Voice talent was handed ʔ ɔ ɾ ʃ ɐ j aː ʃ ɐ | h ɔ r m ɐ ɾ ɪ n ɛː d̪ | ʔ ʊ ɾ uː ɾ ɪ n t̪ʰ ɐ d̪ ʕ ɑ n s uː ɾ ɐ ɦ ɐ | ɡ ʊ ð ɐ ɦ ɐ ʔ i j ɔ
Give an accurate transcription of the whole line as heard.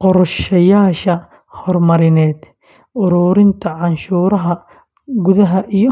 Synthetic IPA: q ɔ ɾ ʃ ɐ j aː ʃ ɐ | h ɔ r m ɐ ɾ ɪ n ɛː d̪ | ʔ ʊ ɾ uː ɾ ɪ n t̪ʰ ɐ ʕ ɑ n ʃ uː ɾ ɐ ɦ ɐ | ɡ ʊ ð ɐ ɦ ɐ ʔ i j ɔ